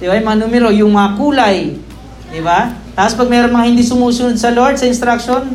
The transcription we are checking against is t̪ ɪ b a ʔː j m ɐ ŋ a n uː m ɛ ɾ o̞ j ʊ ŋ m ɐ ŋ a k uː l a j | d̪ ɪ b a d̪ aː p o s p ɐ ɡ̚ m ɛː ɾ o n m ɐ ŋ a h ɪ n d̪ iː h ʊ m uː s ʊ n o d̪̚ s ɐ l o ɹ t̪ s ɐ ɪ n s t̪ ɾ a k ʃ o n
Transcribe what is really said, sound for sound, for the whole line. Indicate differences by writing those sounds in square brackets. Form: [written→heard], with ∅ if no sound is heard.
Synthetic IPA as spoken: [t̪→d̪] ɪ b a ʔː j m ɐ ŋ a n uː m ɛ ɾ o̞ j ʊ ŋ m ɐ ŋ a k uː l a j | d̪ ɪ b a [d̪→t̪] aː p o s p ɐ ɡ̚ m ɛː ɾ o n m ɐ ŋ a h ɪ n d̪ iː [h→s] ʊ m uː s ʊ n o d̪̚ s ɐ l o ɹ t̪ s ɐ ɪ n s t̪ ɾ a k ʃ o n